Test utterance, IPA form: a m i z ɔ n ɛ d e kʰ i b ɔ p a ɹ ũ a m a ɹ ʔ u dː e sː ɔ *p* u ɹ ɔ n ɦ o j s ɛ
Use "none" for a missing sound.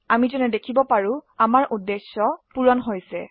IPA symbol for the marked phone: p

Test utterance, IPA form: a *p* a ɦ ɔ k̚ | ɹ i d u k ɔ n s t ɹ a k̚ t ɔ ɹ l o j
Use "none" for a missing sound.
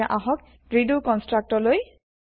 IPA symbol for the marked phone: ʔ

